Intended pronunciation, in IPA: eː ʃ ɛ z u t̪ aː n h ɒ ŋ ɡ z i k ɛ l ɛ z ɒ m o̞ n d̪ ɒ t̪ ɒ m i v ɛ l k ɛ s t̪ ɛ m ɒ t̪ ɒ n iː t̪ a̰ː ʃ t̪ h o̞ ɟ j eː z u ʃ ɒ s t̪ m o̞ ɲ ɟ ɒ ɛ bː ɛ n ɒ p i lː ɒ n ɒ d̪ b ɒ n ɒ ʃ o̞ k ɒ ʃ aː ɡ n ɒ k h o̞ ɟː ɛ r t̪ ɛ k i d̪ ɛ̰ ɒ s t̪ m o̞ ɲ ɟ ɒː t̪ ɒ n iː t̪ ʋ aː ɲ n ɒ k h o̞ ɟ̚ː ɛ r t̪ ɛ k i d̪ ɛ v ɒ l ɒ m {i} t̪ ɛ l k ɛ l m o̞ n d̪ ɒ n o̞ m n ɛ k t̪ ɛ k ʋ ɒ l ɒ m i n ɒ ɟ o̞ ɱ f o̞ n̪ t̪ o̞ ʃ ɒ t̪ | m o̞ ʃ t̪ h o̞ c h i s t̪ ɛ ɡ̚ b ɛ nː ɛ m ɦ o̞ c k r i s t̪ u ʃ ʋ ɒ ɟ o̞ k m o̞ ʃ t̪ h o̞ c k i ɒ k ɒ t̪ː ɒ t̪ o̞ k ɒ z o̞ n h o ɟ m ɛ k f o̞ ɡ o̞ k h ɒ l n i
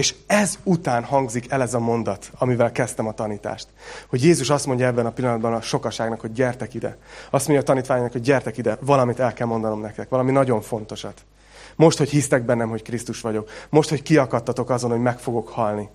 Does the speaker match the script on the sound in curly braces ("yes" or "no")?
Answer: yes